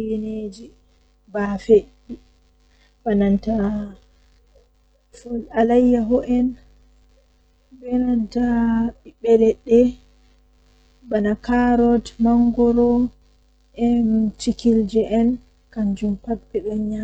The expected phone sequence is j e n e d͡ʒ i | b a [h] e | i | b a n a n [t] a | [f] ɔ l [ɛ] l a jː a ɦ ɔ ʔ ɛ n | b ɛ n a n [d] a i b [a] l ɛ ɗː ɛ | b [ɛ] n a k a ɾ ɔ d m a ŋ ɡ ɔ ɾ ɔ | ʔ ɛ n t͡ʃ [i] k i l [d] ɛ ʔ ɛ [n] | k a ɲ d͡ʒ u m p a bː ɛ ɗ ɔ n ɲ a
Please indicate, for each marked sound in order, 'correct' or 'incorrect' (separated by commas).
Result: incorrect, correct, correct, incorrect, incorrect, incorrect, incorrect, correct, incorrect, correct